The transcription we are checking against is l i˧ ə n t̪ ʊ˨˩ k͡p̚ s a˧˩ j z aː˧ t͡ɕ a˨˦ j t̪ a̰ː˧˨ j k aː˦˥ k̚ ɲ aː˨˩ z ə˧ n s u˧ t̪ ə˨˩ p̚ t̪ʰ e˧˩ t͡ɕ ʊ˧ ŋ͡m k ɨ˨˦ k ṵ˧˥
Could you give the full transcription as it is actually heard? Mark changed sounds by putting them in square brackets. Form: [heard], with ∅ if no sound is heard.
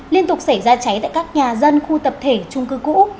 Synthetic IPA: l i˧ ə n t̪ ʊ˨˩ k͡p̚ s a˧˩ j z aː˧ t͡ɕ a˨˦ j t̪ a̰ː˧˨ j k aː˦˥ k̚ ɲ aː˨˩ z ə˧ n [x] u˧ t̪ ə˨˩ p̚ t̪ʰ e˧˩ t͡ɕ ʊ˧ ŋ͡m k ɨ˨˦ k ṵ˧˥